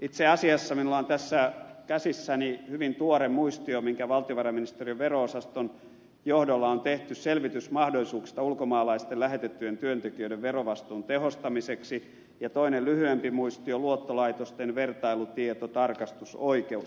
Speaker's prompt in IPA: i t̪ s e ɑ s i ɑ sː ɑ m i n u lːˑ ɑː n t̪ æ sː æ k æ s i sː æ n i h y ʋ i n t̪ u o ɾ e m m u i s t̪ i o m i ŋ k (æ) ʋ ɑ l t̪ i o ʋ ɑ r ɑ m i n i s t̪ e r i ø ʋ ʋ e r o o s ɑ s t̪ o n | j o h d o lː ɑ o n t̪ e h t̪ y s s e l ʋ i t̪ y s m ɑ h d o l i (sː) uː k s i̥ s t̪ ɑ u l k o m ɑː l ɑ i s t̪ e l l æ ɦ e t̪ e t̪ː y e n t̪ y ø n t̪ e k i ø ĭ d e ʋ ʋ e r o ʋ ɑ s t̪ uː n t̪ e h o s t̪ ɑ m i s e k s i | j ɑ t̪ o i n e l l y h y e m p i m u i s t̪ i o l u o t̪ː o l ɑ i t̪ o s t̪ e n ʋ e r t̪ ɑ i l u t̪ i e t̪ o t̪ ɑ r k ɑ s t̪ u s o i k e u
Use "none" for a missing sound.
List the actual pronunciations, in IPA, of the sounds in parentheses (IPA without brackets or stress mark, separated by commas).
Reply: æ, s